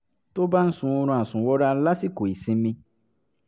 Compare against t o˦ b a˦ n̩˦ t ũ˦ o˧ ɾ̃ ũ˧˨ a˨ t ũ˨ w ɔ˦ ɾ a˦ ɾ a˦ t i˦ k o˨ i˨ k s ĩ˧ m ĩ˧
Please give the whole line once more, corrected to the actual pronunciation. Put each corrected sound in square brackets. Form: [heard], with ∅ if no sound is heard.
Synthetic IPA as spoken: t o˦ b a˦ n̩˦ [s] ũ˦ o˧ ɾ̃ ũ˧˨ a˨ [s] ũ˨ w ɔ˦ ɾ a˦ [l] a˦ [s] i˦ k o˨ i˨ [∅] s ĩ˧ m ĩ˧